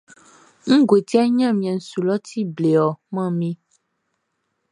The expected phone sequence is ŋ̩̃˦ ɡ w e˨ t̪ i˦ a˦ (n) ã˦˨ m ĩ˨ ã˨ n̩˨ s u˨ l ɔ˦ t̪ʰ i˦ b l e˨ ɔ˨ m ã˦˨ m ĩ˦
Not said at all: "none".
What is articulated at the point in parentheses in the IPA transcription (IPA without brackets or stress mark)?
ɲ